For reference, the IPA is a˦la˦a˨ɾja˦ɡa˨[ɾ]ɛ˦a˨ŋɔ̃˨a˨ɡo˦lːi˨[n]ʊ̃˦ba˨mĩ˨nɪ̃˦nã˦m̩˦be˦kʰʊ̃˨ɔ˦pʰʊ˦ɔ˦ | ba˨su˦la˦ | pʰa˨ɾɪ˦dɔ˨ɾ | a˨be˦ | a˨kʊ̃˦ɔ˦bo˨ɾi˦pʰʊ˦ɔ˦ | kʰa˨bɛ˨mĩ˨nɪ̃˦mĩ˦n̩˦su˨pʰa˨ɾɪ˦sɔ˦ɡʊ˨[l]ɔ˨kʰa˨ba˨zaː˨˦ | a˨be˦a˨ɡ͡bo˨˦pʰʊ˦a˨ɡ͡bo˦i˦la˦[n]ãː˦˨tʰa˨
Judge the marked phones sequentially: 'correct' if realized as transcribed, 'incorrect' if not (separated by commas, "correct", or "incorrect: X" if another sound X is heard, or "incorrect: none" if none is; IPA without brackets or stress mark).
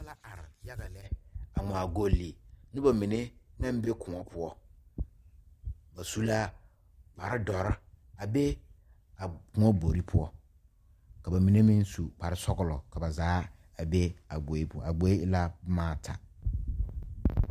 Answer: incorrect: l, correct, correct, incorrect: m